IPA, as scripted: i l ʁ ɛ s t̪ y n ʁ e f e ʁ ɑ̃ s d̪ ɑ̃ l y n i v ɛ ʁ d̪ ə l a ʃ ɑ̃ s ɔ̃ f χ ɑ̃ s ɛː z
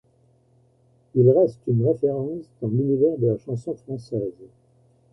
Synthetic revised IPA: i l ʁ ɛ s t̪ y n ʁ e f e ʁ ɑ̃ s d̪ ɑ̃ l y n i v ɛ ʁ d̪ ə l a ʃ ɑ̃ s ɔ̃ f χ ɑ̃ s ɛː z